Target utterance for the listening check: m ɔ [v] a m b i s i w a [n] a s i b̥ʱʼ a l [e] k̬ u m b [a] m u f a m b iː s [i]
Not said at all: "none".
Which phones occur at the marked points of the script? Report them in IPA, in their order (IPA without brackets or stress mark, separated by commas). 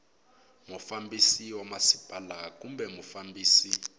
f, m, a, ɛ, i